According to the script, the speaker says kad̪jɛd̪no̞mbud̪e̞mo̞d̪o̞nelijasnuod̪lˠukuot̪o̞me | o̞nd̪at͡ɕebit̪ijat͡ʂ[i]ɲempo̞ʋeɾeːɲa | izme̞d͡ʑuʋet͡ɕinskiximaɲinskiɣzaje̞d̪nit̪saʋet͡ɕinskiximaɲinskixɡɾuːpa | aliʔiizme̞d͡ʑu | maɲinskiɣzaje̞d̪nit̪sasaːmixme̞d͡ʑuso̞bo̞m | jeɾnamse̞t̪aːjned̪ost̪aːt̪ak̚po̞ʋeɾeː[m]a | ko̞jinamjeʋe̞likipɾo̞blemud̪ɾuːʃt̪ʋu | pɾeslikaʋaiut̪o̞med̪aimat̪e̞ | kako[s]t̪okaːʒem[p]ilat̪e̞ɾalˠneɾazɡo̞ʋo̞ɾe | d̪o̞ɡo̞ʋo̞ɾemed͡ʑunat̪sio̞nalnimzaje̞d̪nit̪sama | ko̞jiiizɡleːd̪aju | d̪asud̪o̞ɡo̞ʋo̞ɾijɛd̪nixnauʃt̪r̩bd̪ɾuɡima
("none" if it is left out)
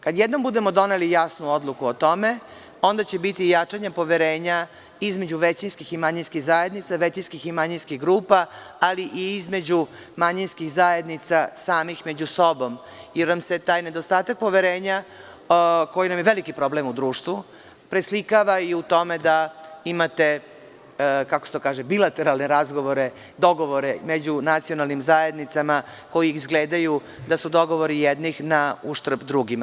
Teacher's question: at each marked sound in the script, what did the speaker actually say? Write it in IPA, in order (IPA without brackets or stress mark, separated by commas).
a, ɲ, s, b